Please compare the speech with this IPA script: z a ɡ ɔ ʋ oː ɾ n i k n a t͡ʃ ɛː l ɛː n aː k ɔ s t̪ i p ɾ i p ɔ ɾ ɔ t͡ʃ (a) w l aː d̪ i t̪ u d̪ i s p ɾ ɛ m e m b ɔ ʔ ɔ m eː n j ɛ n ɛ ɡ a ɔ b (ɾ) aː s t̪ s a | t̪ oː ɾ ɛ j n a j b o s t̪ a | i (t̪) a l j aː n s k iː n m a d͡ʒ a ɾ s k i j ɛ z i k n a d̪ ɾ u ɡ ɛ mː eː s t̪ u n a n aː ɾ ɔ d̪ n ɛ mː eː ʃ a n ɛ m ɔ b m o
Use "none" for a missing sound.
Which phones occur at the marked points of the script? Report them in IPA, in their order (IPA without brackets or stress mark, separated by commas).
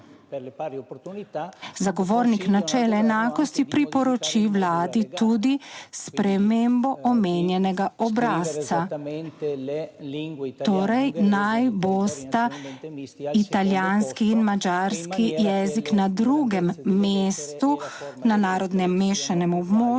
i, ɾ, t̪